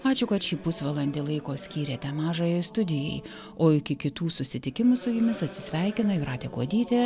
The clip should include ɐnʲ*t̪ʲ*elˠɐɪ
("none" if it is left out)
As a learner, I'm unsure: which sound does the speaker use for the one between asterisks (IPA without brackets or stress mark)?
d̪ʲ